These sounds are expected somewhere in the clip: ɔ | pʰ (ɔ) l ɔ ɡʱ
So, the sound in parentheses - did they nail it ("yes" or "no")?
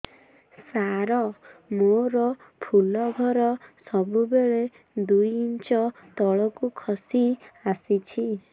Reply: no